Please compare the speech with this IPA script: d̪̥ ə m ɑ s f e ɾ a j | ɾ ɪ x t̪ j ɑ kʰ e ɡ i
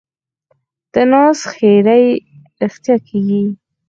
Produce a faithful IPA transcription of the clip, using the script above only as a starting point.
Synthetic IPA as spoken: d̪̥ ə n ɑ s x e ɾ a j | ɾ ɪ x t̪ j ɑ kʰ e ɡ i